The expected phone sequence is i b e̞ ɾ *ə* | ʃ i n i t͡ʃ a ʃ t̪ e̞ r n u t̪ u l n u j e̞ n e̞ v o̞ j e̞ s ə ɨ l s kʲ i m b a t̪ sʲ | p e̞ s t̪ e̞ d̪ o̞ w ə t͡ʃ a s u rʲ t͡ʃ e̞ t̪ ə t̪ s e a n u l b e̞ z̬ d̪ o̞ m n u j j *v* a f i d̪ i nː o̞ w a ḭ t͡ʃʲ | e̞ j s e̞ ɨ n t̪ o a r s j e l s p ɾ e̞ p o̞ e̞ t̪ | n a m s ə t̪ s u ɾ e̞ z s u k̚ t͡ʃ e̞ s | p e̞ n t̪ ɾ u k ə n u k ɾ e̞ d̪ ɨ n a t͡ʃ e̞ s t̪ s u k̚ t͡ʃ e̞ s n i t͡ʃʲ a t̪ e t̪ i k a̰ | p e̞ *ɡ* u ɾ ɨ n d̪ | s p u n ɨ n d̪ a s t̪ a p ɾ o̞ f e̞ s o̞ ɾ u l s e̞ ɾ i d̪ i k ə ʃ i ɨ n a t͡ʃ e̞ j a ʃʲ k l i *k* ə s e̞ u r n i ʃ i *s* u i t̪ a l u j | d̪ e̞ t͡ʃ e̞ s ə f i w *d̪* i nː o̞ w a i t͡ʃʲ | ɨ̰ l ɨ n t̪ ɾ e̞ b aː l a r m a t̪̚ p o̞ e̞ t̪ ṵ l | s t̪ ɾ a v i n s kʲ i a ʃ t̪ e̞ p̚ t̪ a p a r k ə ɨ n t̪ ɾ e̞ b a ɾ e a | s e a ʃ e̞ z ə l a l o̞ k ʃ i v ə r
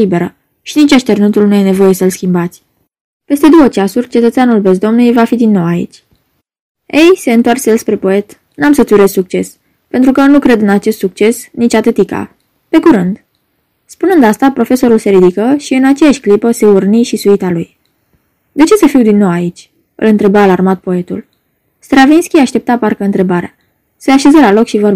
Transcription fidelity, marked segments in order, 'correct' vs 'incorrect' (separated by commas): correct, correct, incorrect, incorrect, correct, correct